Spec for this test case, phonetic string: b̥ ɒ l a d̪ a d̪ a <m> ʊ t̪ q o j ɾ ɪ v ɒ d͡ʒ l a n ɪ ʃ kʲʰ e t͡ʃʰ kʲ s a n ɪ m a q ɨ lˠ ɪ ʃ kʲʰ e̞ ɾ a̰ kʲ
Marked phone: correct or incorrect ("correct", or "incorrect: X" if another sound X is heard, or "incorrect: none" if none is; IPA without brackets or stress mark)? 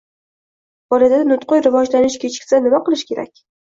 incorrect: n